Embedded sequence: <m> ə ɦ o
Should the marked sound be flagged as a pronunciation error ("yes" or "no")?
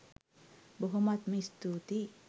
yes